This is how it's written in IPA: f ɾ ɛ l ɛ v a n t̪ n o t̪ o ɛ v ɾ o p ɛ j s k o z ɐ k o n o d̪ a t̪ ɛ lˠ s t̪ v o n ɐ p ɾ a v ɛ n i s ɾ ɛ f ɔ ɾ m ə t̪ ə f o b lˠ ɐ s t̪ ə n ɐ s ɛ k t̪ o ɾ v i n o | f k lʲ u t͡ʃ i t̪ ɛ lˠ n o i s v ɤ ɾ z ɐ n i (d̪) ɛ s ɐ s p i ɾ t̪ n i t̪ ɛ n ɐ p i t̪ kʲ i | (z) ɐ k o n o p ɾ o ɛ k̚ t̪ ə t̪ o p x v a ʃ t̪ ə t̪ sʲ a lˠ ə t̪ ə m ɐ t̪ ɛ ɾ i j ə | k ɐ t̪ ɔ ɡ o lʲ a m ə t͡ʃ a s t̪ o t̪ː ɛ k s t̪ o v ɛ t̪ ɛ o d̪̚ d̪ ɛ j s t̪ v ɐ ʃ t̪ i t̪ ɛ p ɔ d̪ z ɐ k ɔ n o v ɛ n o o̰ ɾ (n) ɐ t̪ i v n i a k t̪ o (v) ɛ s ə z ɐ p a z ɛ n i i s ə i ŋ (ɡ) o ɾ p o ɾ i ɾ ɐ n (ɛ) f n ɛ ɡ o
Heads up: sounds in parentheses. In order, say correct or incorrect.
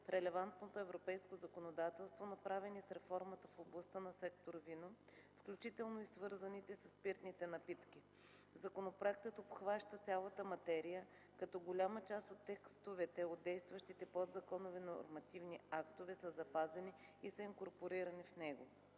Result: incorrect: t̪, correct, incorrect: m, correct, incorrect: k, incorrect: i

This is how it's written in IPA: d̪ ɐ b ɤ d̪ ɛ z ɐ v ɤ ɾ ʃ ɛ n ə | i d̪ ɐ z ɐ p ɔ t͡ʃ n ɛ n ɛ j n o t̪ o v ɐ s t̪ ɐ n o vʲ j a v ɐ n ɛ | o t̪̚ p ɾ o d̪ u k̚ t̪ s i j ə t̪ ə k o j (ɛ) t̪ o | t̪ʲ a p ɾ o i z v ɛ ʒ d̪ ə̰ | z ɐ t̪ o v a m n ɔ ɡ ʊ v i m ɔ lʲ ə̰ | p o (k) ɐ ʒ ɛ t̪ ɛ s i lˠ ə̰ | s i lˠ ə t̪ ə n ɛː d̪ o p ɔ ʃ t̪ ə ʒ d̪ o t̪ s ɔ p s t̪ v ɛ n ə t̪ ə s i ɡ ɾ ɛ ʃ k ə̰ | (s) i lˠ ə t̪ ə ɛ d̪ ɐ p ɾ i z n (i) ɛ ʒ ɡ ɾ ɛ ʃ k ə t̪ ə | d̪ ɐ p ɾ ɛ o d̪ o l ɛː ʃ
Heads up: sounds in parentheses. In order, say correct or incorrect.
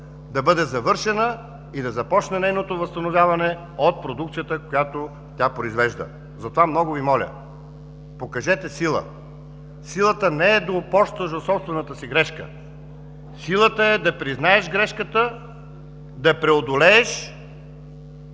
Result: incorrect: a, correct, correct, incorrect: a

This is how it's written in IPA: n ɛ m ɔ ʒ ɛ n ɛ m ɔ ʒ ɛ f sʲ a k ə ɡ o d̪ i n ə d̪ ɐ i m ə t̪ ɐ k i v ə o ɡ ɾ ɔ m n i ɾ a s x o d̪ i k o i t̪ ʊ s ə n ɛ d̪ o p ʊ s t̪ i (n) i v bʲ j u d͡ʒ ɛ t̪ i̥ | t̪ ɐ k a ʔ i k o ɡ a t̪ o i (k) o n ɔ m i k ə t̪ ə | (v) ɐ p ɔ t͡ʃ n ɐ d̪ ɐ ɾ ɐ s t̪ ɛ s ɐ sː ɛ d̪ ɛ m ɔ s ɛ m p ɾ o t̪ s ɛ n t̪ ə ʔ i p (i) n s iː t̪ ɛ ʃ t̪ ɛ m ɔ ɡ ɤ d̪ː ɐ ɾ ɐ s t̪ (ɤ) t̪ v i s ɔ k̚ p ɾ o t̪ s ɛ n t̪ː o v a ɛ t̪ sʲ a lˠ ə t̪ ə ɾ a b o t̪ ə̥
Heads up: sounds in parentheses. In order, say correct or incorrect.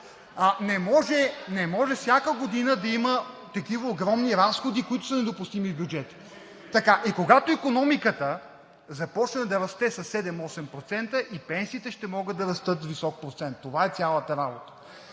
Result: incorrect: m, correct, incorrect: z, incorrect: ɛ, correct

